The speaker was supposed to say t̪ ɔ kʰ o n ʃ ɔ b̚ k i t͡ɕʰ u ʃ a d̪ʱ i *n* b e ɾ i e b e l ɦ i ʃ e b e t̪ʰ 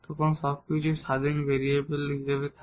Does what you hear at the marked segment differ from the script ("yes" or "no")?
no